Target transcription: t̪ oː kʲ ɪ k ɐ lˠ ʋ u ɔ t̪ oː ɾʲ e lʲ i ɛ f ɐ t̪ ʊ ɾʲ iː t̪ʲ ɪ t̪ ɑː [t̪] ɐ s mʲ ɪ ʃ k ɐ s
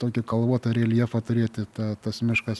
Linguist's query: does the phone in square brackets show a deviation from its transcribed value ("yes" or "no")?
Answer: no